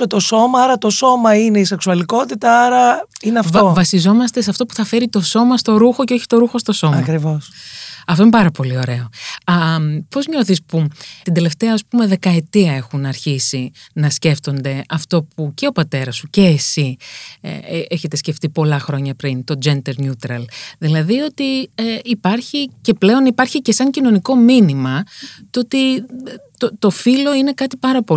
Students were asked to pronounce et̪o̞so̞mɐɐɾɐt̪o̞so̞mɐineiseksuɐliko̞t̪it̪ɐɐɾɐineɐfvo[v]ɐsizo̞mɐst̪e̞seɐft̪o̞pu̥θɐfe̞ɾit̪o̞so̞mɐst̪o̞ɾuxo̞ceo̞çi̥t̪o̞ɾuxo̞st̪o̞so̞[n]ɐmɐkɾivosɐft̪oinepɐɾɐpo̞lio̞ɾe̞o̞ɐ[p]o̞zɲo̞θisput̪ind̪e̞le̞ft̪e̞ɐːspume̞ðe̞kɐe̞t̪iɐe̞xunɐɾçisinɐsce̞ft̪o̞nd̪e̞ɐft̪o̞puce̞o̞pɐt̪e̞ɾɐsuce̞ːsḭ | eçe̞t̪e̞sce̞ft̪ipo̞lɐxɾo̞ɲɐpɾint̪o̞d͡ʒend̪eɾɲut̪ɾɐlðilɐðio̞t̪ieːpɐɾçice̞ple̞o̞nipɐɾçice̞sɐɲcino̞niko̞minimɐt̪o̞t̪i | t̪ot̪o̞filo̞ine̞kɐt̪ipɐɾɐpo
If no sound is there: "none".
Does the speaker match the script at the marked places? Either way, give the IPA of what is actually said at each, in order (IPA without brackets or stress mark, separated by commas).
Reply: v, m, p